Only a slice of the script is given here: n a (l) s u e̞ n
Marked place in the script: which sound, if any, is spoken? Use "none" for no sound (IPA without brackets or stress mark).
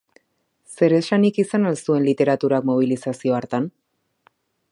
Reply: l